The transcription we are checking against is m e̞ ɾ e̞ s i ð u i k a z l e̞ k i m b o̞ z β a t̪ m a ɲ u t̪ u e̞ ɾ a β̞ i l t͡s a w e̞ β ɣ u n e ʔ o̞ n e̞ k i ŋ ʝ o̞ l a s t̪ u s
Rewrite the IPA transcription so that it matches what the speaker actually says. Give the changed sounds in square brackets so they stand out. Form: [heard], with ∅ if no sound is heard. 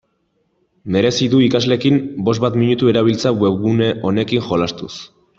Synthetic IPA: m e̞ ɾ e̞ s i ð u i k a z l e̞ k i m b o̞ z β a t̪ m [i] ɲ u t̪ u e̞ ɾ a β̞ i l t͡s a w e̞ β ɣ u n e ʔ o̞ n e̞ k i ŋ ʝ o̞ l a s t̪ u s